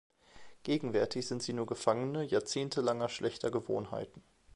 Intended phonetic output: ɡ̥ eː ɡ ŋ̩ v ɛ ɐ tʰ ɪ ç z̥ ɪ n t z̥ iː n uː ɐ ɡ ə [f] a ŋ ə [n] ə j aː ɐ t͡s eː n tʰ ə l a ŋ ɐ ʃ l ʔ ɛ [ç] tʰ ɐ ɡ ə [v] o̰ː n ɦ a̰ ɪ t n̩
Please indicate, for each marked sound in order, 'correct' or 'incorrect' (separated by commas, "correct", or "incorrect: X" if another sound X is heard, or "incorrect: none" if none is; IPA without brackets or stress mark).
correct, correct, correct, correct